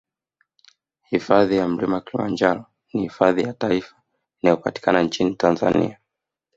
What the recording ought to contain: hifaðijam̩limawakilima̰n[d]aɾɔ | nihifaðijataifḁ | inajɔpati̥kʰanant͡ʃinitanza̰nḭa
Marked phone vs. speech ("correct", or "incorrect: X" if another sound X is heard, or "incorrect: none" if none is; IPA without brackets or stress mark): incorrect: d͡ʒ